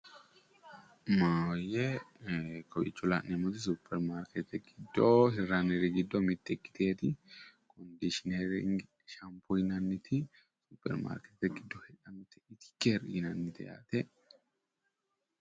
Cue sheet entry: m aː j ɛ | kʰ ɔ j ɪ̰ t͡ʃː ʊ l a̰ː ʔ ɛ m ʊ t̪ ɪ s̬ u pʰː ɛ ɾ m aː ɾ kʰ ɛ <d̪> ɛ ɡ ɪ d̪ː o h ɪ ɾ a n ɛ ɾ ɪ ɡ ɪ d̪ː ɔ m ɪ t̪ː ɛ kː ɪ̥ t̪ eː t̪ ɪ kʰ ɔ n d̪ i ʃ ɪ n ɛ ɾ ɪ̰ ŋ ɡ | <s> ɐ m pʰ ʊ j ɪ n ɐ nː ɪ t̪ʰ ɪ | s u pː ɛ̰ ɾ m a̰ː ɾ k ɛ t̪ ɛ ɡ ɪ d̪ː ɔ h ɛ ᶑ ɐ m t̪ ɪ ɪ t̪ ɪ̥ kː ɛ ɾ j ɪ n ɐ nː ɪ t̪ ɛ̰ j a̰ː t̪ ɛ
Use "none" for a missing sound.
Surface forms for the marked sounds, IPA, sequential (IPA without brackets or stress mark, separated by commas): t̪, ʃ